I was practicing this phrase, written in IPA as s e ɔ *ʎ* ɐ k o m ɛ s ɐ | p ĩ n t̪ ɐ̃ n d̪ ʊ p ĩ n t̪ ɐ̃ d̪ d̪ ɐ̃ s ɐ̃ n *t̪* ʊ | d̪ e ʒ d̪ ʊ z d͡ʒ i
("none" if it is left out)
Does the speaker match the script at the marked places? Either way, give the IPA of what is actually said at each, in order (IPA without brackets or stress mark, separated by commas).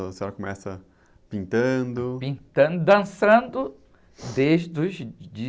ɾ, d̪